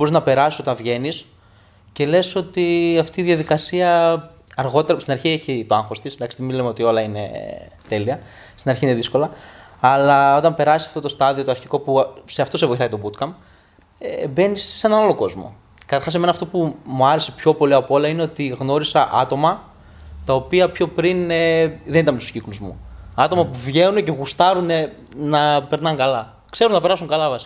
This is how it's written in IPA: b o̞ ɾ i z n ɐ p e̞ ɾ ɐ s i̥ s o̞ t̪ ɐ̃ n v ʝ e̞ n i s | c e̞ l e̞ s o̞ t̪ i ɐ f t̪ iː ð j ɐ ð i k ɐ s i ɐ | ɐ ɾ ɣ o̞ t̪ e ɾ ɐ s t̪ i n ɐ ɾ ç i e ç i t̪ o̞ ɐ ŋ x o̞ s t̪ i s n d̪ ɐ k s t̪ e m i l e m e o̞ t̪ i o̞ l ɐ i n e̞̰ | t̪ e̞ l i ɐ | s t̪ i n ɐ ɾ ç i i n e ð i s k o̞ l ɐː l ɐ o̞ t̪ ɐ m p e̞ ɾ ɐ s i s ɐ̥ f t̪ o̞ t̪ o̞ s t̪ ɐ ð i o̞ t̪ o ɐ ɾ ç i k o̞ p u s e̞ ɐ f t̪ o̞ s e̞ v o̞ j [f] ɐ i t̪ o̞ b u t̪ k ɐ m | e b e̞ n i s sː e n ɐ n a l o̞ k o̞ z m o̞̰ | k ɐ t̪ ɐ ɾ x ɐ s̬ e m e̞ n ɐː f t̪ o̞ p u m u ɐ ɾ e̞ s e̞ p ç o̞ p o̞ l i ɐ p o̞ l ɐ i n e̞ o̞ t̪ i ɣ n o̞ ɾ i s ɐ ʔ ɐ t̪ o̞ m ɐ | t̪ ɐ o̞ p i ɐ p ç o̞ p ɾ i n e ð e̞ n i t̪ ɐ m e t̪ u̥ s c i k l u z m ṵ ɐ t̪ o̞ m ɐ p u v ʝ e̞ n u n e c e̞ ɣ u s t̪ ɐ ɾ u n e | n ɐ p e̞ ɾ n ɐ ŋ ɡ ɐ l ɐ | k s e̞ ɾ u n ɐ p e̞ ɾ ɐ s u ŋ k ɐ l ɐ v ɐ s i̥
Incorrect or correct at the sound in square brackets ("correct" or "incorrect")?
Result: incorrect